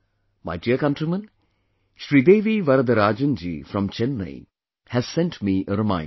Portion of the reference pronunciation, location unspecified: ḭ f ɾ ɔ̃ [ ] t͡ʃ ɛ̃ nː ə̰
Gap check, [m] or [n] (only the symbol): m